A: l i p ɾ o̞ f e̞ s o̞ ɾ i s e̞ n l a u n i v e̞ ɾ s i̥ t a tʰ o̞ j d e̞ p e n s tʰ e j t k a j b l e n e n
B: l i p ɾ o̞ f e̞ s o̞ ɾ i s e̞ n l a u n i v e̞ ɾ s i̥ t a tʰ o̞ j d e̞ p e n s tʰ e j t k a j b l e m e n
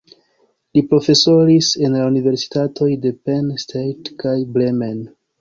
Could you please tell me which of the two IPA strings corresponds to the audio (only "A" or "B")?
B